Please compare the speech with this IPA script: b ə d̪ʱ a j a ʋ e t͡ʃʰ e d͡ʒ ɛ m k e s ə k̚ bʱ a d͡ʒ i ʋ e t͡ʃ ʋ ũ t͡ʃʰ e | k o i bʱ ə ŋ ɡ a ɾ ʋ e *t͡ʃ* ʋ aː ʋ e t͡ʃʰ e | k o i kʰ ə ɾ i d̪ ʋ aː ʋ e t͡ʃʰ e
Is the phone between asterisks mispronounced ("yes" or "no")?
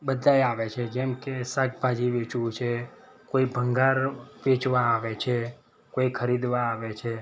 no